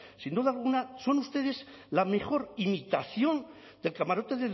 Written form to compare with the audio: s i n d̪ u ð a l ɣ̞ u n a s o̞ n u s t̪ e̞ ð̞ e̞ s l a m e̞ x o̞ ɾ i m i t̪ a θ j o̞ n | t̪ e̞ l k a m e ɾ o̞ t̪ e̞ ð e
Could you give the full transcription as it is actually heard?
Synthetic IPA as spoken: s i n d̪ u ð a l ɣ̞ u n a s o̞ n u s t̪ e̞ ð̞ e̞ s l a m e̞ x o̞ ɾ i m i t̪ a θ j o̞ n | d̪ e̞ l k a m a ɾ o̞ t̪ e̞ ð e